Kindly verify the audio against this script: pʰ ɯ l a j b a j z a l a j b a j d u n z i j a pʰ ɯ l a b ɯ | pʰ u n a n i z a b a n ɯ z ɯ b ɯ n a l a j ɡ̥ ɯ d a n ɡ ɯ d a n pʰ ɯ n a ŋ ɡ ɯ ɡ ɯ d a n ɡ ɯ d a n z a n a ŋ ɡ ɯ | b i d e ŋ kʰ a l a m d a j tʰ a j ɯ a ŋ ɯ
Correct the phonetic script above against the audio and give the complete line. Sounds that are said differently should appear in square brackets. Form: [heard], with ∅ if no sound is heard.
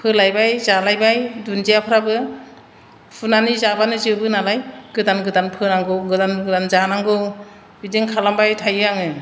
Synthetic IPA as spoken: pʰ ɯ l a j b a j z a l a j b a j d u n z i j a pʰ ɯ [ɾ] a b ɯ | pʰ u n a n i z a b a n ɯ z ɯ b ɯ n a l a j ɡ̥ ɯ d a n ɡ ɯ d a n pʰ ɯ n a ŋ ɡ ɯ ɡ ɯ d a n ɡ ɯ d a n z a n a ŋ ɡ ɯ | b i d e ŋ kʰ a l a m [b] a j tʰ a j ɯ a ŋ ɯ